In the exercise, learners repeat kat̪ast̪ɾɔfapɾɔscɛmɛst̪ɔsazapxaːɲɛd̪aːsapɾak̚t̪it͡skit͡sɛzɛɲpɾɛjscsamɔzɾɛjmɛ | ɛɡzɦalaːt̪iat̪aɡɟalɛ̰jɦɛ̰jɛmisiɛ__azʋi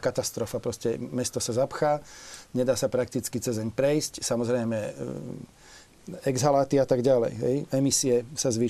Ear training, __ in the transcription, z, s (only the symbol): s